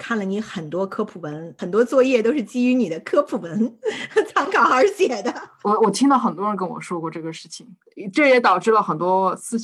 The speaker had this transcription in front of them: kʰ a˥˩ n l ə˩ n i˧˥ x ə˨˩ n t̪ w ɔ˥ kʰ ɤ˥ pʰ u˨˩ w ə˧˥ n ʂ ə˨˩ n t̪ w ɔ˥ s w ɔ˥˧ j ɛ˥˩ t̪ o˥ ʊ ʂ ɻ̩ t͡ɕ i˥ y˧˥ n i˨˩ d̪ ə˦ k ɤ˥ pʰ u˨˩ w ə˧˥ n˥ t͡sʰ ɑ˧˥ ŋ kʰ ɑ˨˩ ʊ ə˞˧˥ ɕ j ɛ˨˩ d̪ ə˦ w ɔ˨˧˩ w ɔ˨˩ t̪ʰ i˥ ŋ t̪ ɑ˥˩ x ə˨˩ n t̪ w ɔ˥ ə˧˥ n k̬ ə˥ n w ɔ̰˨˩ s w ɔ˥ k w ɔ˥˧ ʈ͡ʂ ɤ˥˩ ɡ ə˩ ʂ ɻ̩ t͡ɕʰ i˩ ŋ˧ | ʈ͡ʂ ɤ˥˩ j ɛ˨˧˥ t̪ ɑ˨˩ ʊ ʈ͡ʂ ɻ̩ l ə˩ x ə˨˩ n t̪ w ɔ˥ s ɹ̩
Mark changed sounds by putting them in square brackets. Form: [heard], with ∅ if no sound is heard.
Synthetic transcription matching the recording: kʰ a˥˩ n l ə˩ n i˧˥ x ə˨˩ n t̪ w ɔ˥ kʰ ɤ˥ pʰ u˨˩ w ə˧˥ n [x] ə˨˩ n t̪ w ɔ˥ [t͡s] w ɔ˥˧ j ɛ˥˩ t̪ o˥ ʊ ʂ ɻ̩ t͡ɕ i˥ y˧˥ n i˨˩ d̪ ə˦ [kʰ] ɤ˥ pʰ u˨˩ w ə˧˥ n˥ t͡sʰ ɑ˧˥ ŋ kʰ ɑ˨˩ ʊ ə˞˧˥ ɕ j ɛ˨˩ d̪ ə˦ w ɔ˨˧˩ w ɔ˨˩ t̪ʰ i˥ ŋ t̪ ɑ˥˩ x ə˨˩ n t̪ w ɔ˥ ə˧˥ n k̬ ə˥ n w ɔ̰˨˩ [ʂ] w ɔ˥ k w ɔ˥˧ ʈ͡ʂ ɤ˥˩ ɡ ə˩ ʂ ɻ̩ t͡ɕʰ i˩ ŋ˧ | ʈ͡ʂ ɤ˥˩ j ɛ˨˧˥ t̪ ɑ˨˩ ʊ ʈ͡ʂ ɻ̩ l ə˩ x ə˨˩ n t̪ w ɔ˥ s ɹ̩